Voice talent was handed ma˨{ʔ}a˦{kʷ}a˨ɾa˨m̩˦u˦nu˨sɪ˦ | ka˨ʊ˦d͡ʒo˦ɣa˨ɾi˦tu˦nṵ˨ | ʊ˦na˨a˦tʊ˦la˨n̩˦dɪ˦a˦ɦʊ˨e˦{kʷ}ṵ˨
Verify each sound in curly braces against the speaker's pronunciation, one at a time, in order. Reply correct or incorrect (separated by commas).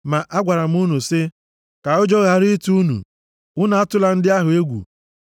correct, incorrect, incorrect